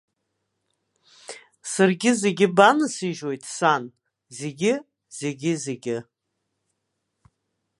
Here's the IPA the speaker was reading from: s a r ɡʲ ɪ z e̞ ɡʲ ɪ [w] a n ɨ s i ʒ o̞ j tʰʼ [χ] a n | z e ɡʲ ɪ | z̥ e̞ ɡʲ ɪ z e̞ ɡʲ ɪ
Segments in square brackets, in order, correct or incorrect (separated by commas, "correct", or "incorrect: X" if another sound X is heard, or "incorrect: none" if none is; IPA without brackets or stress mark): incorrect: b, incorrect: s